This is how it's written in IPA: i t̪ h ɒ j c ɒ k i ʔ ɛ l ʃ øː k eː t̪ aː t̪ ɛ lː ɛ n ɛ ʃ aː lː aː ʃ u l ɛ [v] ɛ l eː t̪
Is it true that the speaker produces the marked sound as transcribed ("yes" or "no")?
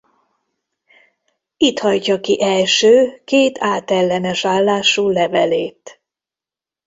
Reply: yes